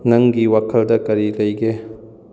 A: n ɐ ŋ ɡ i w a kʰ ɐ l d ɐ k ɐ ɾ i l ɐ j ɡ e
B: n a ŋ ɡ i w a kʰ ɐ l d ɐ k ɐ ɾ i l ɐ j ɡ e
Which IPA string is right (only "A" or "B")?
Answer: A